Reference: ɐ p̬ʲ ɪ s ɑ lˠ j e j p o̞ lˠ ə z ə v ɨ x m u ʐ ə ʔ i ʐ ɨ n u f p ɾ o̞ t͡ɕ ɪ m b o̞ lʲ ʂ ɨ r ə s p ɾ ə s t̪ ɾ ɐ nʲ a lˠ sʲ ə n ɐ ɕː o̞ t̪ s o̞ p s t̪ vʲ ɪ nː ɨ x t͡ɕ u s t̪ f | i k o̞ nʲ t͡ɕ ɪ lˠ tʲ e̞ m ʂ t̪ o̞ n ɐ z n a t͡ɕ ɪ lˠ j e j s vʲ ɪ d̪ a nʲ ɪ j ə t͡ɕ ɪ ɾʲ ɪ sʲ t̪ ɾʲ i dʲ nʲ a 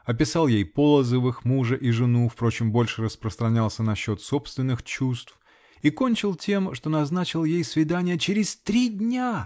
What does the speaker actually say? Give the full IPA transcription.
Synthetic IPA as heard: ɐ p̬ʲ ɪ s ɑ lˠ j e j p o̞ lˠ ə z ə v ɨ x m u ʐ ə ʔ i ʐ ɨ n u f p ɾ o̞ t͡ɕ ɪ m b o̞ lʲ ʂ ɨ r ə s p ɾ ə s t̪ ɾ ɐ nʲ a lˠ sʲ ə n ɐ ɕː o̞ t̪ s o̞ p s t̪ vʲ ɪ nː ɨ x t͡ɕ u s t̪ f | i k o̞ nʲ t͡ɕ ɪ lˠ tʲ e̞ m ʂ t̪ o̞ n ɐ z n a t͡ɕ ɪ lˠ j e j s vʲ ɪ d̪ a nʲ ɪ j ə t͡ɕ ɪ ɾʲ ɪ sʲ t̪ ɾʲ i dʲ nʲ a